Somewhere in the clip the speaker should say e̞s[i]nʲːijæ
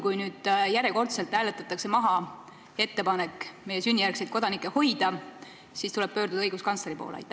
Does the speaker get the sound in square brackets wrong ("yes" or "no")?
yes